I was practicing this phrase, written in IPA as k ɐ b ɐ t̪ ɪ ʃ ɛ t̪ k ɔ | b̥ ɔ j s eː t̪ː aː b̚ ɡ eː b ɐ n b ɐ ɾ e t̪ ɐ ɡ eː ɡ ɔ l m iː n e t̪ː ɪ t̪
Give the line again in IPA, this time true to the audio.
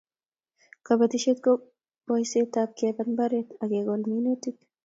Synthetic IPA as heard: k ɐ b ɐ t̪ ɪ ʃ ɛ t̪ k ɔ | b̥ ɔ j s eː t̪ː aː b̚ k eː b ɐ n b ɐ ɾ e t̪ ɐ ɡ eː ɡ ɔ l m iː n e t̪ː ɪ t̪